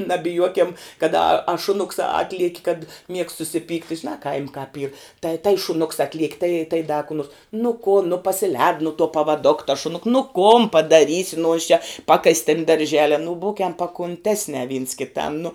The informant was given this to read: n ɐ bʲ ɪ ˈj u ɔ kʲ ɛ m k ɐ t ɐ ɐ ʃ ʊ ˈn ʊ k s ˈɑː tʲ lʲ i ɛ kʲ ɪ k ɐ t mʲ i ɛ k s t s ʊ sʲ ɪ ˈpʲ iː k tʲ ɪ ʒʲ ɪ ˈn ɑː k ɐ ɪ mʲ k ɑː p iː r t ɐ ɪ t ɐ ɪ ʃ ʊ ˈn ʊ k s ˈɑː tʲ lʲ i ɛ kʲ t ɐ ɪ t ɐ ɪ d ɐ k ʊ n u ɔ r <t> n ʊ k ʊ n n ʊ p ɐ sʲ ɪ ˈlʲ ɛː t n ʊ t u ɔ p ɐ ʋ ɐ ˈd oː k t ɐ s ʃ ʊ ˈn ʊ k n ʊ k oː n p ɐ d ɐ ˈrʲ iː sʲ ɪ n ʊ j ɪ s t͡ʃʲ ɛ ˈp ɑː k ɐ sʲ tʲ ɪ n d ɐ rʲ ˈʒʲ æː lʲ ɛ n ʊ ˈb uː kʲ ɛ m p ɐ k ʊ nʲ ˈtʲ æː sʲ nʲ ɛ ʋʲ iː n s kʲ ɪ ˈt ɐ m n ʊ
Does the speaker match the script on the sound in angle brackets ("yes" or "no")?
no